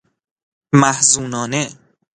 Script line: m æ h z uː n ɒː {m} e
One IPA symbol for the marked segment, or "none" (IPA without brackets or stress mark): n